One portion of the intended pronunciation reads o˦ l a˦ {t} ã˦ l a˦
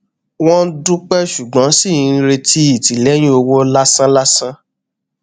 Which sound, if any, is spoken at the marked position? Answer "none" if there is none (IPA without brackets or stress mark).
s